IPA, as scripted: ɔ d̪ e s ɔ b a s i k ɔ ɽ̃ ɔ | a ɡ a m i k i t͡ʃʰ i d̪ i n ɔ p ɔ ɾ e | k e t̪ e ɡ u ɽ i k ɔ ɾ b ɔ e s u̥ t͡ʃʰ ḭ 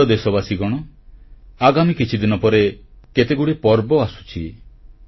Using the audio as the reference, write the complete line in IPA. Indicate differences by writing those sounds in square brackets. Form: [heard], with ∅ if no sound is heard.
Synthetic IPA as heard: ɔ d̪ e s ɔ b a s i [ɡ] ɔ ɽ̃ ɔ | a ɡ a m i k i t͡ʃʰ i d̪ i n ɔ p ɔ ɾ e | k e t̪ e ɡ u ɽ i [p] ɔ ɾ b ɔ [a] s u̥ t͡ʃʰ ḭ